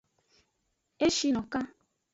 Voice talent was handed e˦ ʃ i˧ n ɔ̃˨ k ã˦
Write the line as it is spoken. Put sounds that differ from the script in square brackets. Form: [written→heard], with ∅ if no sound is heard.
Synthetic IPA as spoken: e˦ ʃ i˧ n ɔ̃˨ k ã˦

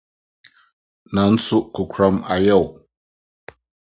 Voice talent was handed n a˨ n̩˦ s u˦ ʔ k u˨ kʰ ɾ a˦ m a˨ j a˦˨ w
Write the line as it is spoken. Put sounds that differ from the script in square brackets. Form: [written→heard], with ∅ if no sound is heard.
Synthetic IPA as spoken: n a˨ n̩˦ s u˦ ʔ k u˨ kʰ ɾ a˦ m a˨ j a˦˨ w

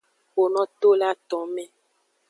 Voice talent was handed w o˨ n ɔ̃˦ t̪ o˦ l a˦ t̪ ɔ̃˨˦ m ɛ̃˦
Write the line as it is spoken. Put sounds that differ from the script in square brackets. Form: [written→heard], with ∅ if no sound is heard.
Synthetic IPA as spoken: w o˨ n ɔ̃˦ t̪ o˦ l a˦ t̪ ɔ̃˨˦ m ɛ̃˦

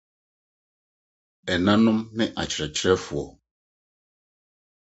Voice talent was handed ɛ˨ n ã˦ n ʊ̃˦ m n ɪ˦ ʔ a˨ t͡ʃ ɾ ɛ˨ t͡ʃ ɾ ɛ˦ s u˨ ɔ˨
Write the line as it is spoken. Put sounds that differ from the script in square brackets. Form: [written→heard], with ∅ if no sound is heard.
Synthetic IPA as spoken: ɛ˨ n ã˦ n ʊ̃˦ m n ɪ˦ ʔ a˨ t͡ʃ ɾ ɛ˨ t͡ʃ ɾ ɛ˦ [s→f] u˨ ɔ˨

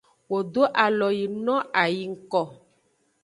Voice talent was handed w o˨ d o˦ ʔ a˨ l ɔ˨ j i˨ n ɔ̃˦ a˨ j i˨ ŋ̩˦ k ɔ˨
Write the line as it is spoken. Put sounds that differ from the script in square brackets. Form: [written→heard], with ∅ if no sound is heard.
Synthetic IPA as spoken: w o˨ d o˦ ʔ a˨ l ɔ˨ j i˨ n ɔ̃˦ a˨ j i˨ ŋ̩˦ k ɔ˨

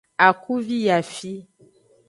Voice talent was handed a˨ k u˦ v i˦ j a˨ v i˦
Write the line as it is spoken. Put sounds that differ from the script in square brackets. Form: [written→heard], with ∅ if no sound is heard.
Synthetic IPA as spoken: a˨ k u˦ v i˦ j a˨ [v→f] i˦

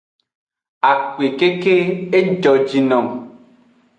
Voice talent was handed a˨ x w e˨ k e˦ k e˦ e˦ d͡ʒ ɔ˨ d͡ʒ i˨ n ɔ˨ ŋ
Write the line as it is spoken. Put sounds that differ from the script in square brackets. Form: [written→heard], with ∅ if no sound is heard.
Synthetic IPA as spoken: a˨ [x→k] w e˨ k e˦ k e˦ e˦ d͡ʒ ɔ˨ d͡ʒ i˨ n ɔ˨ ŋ

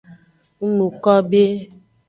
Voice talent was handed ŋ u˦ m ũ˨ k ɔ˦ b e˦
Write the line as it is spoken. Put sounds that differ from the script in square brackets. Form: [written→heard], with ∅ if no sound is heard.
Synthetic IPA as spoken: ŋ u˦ [m→n] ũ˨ k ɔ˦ b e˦

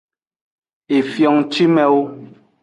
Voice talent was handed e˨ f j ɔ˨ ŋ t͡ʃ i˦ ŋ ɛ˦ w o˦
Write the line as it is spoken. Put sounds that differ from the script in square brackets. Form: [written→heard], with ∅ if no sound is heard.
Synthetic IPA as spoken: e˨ f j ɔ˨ ŋ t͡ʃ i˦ [ŋ→m] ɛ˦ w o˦

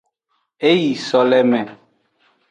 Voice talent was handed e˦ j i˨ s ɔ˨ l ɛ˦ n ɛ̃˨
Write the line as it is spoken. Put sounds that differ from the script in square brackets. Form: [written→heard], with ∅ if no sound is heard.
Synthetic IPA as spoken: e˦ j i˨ s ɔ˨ l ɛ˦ [n→m] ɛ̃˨

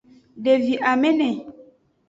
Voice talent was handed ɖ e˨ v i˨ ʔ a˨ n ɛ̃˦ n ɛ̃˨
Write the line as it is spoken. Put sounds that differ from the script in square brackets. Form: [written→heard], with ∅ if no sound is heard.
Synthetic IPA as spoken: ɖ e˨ v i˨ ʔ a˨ [n→m] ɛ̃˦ n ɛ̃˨

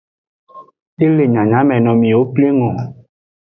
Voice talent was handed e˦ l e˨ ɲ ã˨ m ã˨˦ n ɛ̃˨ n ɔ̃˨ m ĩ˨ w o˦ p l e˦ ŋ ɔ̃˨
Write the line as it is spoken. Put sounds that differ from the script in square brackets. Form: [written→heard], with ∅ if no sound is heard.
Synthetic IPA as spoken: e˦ l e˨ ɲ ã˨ [m→ɲ] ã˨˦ [n→m] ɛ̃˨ n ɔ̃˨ m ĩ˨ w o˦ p l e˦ ŋ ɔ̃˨

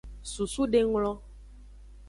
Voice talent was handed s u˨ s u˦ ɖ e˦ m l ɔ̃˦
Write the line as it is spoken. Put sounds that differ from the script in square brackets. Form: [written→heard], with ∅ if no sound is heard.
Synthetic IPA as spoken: s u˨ s u˦ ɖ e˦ [m→ŋ] l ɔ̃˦

